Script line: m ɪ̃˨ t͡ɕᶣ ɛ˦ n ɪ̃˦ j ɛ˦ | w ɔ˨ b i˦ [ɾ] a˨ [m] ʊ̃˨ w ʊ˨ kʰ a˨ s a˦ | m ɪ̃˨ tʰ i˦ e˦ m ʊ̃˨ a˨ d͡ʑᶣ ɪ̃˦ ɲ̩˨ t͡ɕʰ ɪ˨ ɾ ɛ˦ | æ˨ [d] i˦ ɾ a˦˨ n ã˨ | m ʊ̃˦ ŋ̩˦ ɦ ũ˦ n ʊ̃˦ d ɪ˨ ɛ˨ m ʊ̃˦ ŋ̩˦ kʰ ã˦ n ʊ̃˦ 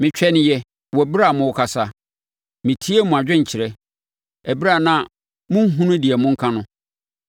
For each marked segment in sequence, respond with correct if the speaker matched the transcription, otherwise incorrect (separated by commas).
correct, correct, incorrect